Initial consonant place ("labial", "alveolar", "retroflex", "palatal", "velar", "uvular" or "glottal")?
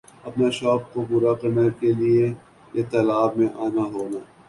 labial